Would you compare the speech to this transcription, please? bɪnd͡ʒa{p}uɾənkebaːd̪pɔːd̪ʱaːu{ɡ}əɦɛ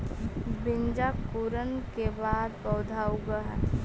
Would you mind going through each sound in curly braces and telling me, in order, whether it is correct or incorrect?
incorrect: k, correct

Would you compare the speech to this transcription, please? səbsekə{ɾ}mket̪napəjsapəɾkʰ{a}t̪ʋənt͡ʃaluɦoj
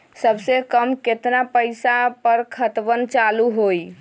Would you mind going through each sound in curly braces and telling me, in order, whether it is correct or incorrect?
incorrect: none, incorrect: ə

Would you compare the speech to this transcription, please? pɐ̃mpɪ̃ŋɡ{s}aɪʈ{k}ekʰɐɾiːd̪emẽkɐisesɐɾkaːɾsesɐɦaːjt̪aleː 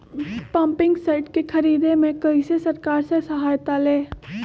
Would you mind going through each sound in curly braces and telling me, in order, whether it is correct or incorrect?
correct, correct

